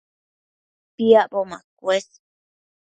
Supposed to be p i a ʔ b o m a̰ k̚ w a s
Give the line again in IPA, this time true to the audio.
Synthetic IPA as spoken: p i a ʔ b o m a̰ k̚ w e s